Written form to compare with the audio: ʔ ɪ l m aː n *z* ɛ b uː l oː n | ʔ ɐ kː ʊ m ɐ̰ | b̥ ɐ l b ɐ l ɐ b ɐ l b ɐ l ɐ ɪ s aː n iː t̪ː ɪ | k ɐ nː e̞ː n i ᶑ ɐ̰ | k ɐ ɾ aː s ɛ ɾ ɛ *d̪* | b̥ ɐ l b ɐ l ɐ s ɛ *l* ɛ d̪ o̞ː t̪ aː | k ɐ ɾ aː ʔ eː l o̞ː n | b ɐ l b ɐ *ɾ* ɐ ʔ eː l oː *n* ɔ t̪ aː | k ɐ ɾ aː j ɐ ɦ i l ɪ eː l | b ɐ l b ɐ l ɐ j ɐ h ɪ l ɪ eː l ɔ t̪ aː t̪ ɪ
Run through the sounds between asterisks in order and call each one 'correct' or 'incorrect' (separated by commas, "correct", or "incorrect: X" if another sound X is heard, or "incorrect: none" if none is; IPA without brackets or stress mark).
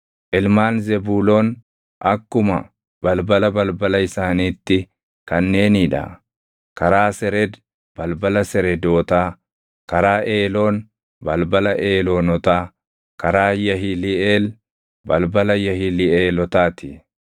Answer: correct, correct, incorrect: ɾ, incorrect: l, correct